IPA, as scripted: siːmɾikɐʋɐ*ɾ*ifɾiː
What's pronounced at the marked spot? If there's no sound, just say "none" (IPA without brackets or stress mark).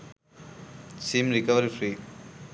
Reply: ɾ